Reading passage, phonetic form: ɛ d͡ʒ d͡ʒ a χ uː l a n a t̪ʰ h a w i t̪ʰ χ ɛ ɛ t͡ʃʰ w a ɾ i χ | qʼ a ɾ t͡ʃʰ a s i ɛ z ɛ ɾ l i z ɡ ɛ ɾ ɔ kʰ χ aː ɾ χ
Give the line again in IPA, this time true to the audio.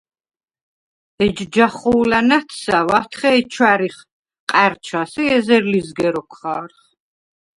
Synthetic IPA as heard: ɛ d͡ʒ d͡ʒ a χ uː l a n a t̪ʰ s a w a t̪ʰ χ ɛ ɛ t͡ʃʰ w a ɾ i χ | qʼ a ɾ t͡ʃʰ a s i ɛ z ɛ ɾ l i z ɡ ɛ ɾ ɔ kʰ χ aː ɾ χ